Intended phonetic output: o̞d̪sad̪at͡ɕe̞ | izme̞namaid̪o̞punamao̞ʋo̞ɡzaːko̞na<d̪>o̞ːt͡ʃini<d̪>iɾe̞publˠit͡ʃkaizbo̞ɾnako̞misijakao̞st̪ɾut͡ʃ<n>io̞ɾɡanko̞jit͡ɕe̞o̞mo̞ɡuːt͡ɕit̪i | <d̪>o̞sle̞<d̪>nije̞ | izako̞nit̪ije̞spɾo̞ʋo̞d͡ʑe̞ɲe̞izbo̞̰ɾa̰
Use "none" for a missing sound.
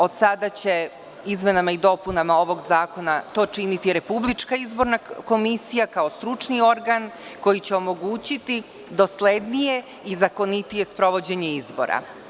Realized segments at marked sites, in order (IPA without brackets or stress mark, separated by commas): t̪, t̪, n, d̪, d̪